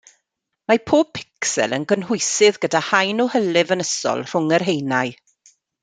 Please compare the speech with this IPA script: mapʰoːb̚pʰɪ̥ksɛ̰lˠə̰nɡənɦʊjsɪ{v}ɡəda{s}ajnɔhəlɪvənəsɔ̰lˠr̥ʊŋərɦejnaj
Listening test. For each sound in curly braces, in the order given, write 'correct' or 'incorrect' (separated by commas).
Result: incorrect, incorrect